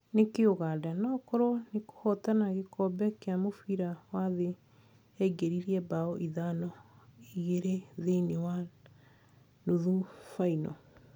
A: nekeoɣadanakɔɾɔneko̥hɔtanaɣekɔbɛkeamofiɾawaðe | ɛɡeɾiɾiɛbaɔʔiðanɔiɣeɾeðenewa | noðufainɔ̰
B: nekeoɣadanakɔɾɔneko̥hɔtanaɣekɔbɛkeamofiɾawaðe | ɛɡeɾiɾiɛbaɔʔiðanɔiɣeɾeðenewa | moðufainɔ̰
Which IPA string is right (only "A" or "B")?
A